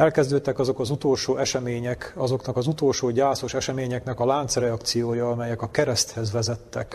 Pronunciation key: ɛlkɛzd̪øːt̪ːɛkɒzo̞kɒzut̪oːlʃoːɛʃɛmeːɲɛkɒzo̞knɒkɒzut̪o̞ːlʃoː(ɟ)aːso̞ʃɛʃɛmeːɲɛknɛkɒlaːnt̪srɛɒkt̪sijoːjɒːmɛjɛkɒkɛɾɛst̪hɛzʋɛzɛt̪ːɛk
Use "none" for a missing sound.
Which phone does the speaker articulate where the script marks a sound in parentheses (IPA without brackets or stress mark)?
ɟ